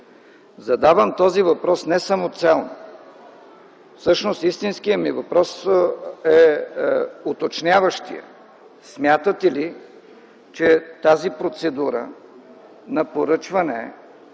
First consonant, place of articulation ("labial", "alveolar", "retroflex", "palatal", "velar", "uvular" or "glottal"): alveolar